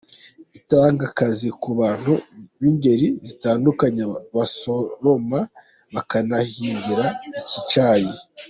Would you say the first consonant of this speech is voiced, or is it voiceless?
voiceless